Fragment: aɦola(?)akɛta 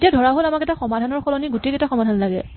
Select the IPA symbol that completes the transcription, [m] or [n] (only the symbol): m